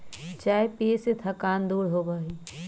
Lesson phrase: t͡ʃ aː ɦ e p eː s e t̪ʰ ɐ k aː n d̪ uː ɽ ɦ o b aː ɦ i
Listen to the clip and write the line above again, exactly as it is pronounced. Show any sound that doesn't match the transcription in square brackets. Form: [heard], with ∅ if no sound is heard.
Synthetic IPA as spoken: t͡ʃ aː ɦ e p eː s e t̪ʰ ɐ k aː n d̪ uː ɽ ɦ o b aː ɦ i